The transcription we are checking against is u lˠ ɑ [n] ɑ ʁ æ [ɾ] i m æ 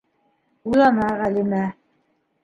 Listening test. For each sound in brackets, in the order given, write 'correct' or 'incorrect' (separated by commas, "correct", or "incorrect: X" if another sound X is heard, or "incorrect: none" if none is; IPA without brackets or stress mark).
correct, incorrect: l